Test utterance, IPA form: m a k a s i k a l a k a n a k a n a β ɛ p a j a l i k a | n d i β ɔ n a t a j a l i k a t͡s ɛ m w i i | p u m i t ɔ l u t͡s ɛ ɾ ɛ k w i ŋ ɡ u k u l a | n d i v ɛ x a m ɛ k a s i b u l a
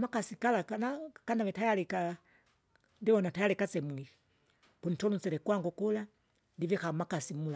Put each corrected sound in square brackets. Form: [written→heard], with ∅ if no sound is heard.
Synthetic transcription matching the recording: m a k a s i k a l a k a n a k a n a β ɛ [p→t] a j a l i k a | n d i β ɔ n a t a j a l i k a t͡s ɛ m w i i | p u [m→n] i t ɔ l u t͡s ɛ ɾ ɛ k w [i→a] ŋ ɡ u k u l a | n d i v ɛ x a m [ɛ→a] k a s i [b→m] u l a